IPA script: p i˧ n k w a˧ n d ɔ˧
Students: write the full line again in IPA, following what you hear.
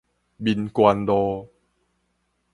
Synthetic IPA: b i˧ n k w a˧ n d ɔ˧